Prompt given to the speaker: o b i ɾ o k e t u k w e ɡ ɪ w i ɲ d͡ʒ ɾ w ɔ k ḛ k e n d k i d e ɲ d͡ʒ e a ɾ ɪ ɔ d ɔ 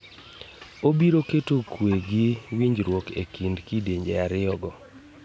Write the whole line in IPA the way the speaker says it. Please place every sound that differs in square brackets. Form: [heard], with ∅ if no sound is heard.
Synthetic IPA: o b i ɾ o k e t [o] k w e ɡ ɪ w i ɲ d͡ʒ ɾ w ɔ k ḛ k [i] n d k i d e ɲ d͡ʒ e a ɾ ɪ ɔ [ɡ] ɔ